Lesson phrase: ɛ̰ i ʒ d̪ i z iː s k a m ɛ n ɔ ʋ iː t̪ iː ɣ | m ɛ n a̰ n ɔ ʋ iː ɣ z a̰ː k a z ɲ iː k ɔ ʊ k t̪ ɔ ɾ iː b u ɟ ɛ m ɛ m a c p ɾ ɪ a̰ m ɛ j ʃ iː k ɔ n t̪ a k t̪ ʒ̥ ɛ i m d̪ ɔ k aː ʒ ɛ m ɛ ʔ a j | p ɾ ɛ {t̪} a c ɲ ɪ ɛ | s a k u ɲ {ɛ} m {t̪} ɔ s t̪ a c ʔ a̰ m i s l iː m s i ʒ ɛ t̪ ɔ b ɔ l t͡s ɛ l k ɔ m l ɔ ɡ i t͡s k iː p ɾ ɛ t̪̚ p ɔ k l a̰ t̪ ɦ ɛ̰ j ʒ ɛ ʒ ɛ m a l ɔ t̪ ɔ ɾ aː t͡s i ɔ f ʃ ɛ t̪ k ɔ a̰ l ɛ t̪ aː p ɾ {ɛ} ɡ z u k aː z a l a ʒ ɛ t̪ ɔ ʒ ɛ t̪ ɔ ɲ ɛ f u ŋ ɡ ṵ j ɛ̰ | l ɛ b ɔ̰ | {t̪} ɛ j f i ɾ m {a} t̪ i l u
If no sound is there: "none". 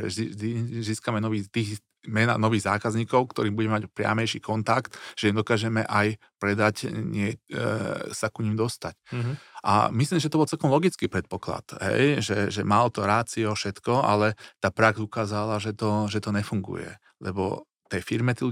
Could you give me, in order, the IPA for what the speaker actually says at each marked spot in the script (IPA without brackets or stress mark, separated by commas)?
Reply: d̪, i, d̪, a, t̪, ɛ